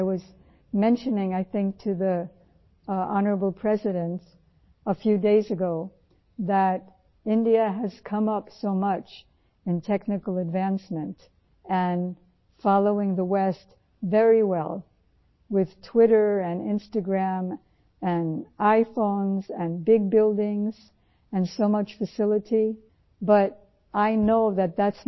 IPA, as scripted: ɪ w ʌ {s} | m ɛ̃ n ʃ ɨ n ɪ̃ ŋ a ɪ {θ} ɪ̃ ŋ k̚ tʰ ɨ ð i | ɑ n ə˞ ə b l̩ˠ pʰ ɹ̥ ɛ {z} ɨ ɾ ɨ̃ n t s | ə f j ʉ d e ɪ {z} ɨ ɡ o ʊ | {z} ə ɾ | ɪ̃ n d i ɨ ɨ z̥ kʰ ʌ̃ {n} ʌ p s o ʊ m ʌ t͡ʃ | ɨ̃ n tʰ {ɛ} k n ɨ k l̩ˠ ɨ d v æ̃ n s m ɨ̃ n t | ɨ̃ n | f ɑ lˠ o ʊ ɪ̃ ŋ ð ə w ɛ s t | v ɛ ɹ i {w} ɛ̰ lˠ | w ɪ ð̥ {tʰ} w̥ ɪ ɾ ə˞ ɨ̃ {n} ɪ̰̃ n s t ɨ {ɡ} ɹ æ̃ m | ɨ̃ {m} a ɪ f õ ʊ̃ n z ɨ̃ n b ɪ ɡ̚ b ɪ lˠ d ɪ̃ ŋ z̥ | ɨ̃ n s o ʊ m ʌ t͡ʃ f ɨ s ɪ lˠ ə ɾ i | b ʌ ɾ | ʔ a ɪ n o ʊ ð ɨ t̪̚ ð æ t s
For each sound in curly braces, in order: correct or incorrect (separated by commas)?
incorrect, correct, correct, correct, incorrect, incorrect, correct, correct, correct, correct, correct, incorrect